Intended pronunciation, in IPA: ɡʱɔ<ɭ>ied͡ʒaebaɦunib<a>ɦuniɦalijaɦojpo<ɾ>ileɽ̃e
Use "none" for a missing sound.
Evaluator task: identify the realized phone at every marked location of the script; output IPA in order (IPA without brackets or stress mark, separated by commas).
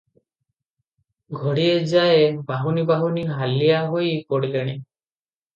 ɽ, a, ɽ